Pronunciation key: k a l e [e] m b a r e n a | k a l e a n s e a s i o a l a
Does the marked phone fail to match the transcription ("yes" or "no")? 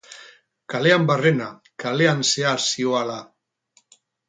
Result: yes